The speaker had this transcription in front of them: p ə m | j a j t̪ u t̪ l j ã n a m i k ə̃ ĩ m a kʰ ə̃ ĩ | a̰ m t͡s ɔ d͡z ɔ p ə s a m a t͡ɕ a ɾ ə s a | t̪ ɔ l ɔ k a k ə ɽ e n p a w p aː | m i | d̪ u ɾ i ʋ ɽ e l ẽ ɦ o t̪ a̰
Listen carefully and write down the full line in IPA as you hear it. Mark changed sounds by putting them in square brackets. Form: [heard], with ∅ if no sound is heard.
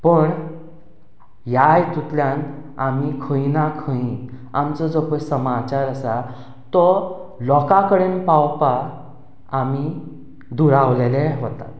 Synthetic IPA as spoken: p ə [ɳ] | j a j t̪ u t̪ l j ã n a m i [kʰ] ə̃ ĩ [n] a kʰ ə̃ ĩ | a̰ m t͡s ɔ d͡z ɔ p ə s [ə] m a t͡ɕ a ɾ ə s a | t̪ ɔ l ɔ k a k ə ɽ e n p a w p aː | m i | d̪ u ɾ [a] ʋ [l] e l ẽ ɦ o t̪ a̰